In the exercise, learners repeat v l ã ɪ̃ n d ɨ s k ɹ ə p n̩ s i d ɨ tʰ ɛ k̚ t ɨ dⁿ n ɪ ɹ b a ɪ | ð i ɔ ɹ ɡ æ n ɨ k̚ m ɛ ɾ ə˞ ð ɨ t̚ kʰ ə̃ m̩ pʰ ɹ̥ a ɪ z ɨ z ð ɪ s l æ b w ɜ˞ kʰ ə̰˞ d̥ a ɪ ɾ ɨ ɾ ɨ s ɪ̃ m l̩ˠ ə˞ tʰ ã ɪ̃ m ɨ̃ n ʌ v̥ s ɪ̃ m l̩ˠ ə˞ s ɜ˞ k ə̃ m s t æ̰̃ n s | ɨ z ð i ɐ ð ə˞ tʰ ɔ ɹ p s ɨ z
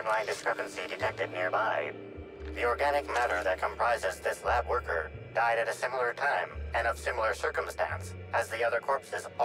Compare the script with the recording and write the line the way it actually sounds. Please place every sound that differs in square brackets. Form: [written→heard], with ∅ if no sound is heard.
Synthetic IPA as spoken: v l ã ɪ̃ n d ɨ s k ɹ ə p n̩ s i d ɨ tʰ ɛ k̚ t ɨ dⁿ n ɪ ɹ b a ɪ | ð i ɔ ɹ ɡ æ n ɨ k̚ m [ɛ→æ] ɾ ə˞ ð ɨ t̚ kʰ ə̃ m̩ pʰ ɹ̥ a ɪ z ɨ z ð ɪ s l æ b w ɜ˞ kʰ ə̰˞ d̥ a ɪ ɾ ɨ ɾ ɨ s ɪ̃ m l̩ˠ ə˞ tʰ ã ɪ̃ m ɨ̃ n ʌ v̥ s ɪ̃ m l̩ˠ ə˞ s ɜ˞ k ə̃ m s t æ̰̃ n s | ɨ z ð i [ɐ→ʌ] ð ə˞ [tʰ→kʰ] ɔ ɹ p s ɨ z